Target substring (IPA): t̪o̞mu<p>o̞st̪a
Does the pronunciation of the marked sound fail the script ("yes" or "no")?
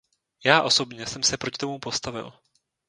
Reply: no